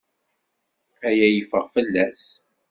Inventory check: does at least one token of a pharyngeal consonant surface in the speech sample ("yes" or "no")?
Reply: no